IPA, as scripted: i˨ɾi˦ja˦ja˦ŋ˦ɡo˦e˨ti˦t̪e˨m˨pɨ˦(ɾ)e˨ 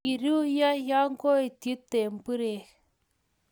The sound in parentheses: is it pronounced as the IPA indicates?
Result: yes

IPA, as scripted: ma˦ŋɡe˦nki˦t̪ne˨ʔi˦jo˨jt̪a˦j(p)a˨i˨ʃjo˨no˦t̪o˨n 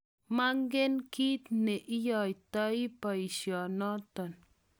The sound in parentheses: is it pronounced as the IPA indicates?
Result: yes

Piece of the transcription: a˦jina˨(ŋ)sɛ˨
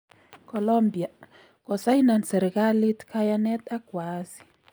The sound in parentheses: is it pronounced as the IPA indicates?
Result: no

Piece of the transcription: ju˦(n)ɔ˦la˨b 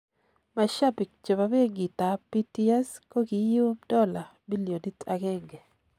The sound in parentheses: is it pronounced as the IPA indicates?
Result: no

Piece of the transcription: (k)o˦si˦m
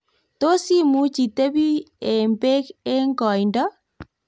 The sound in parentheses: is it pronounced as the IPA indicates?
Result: no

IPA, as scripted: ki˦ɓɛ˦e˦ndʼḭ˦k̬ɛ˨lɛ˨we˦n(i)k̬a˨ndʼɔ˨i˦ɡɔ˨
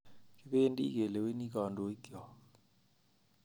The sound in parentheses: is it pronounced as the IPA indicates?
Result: yes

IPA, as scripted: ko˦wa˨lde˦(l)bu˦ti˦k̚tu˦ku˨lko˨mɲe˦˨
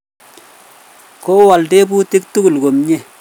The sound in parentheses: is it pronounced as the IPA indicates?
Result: no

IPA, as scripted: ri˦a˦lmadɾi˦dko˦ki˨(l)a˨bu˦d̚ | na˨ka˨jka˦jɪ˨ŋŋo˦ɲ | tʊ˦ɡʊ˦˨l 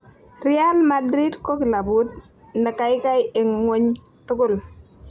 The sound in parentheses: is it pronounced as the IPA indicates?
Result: yes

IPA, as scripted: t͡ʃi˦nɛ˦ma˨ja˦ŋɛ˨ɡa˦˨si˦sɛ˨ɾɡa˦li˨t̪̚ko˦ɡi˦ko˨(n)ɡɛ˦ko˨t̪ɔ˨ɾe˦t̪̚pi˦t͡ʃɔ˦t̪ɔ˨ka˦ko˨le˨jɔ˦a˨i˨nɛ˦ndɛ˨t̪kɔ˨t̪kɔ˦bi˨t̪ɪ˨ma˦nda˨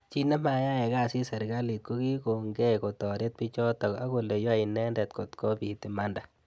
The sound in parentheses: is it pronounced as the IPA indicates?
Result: no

